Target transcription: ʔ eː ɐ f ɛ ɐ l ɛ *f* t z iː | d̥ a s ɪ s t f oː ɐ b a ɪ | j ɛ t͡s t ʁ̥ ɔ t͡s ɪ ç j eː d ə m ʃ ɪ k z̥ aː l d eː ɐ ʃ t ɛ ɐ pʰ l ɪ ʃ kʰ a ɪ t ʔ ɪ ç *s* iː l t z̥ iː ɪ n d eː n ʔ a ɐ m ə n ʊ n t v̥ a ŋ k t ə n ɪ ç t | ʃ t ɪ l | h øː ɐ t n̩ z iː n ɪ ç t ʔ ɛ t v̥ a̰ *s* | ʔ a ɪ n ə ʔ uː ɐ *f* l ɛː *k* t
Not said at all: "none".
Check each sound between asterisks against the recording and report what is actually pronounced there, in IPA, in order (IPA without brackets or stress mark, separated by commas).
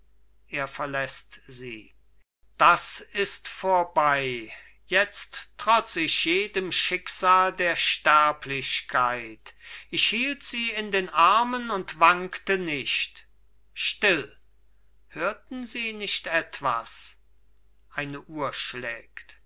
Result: s, h, s, ʃ, k